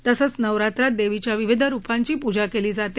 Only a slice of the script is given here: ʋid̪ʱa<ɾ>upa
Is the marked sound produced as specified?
yes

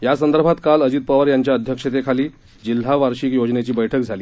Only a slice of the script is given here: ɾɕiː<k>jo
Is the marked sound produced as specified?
yes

